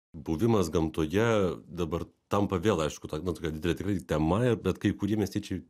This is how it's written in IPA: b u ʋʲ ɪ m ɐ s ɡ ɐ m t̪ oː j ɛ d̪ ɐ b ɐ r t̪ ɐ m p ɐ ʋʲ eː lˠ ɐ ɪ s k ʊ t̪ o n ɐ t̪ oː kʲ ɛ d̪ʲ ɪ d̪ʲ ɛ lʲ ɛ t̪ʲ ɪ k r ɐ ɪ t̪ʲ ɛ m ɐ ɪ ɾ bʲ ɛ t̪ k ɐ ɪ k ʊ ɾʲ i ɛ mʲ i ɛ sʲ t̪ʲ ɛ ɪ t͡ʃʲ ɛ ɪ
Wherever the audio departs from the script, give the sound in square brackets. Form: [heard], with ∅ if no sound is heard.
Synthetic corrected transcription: b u ʋʲ ɪ m ɐ s ɡ ɐ m t̪ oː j ɛ d̪ ɐ b ɐ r t̪ ɐ m p ɐ ʋʲ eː lˠ ɐ ɪ [ʃ] k ʊ t̪ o n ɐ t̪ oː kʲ ɛ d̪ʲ ɪ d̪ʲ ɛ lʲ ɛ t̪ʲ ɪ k r ɐ ɪ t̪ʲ ɛ m ɐ ɪ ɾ bʲ ɛ t̪ k ɐ ɪ k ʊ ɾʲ i ɛ mʲ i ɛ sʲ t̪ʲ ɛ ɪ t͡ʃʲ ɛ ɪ